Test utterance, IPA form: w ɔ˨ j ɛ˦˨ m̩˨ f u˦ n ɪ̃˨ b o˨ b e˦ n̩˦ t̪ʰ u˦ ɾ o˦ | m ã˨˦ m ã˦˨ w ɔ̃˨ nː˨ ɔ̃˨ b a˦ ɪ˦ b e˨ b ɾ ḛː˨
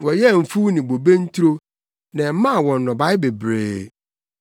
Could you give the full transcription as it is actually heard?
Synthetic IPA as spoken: w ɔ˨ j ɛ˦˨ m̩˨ f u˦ n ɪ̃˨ b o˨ b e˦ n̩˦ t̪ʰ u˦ ɾ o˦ | n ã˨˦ m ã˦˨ w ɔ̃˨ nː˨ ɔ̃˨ b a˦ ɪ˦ b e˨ b ɾ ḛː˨